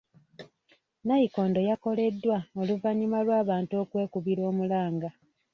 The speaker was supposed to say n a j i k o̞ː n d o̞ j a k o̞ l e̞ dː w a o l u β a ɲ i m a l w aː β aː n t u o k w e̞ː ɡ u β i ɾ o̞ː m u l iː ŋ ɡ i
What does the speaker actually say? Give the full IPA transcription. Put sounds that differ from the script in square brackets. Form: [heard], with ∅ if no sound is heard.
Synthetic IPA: n a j i k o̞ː n d o̞ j a k o̞ l e̞ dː w a o l u [v] a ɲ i m a l w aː β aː n t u o k w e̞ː [k] u β i ɾ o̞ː m u l [aː] ŋ ɡ [a]

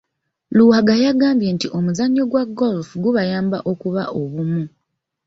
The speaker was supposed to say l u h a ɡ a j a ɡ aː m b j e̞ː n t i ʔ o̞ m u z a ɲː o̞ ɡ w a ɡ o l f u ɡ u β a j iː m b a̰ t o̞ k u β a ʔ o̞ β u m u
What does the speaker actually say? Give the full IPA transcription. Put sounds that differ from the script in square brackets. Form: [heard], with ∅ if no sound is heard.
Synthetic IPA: l u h a ɡ a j a ɡ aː m b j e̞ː n t i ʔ o̞ m u z a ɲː o̞ ɡ w a ɡ o l f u ɡ u β a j [aː] m b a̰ [ʔ] o̞ k u β a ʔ o̞ β u m u

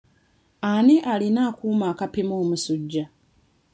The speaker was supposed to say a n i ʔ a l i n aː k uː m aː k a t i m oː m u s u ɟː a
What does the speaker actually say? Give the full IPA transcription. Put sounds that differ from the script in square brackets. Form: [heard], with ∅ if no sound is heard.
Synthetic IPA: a n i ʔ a l i n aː k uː m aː k a [p] i m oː m u s u ɟː a

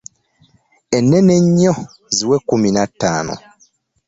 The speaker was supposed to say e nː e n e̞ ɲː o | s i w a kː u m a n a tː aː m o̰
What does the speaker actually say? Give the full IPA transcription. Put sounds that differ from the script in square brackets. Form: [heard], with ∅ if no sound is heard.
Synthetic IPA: e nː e n e̞ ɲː o | [z] i w [e] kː u m [i] n a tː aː [n] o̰

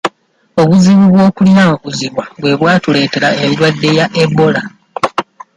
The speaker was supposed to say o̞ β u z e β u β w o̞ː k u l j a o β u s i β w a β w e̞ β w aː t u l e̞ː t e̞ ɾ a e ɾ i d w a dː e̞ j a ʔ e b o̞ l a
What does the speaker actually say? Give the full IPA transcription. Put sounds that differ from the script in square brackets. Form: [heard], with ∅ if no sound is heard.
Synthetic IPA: o̞ β u z [i] β u β w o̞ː k u l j a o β u [z] i β w a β w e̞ β w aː t u l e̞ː t e̞ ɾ a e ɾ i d w a dː e̞ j a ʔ e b o̞ l a

